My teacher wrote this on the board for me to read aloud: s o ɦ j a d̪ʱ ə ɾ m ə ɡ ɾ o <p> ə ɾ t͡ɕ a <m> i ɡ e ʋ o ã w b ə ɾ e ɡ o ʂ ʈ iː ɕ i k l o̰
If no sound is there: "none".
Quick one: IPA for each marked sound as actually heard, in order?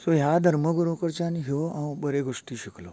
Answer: k, n

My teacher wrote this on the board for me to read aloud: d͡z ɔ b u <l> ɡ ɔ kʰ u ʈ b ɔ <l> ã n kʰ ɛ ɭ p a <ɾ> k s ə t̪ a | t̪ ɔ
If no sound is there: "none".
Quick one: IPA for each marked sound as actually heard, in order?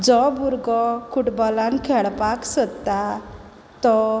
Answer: ɾ, l, none

